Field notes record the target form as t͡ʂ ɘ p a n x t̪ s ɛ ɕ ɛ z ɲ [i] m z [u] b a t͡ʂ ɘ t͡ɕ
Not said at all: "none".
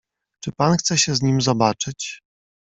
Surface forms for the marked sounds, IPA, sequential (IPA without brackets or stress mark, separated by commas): i, ɔ